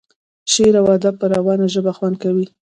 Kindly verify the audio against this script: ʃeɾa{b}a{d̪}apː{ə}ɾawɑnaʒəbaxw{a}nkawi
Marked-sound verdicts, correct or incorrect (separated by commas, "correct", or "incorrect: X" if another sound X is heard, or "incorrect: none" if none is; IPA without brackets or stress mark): incorrect: w, correct, correct, correct